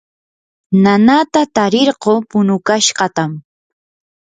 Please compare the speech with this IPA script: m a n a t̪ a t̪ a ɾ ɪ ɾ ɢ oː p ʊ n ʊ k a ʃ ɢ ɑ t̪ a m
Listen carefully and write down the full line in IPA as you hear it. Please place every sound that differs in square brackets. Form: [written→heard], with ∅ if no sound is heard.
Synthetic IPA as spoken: [m→n] a n a t̪ a t̪ a ɾ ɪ ɾ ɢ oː p ʊ n ʊ k a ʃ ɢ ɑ t̪ a m